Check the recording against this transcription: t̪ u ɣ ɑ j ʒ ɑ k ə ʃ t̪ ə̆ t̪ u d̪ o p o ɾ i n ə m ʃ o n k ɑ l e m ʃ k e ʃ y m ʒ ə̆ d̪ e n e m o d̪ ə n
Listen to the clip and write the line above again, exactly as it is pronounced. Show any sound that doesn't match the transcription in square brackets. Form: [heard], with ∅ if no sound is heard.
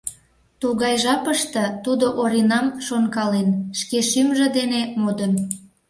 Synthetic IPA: t̪ u ɣ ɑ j ʒ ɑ [p] ə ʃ t̪ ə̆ t̪ u d̪ o [ʔ] o ɾ i n [ɑ] m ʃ o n k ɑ l e [n] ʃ k e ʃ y m ʒ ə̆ d̪ e n e m o d̪ ə n